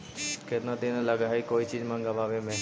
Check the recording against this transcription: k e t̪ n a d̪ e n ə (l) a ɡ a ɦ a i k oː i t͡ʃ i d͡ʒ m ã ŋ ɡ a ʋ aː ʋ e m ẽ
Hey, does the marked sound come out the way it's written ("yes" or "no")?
yes